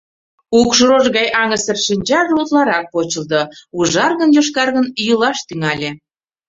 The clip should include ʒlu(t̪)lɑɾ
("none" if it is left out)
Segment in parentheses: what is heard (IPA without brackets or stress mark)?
t̪